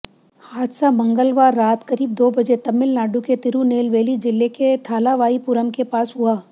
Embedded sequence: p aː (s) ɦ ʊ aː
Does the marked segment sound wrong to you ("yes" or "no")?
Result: no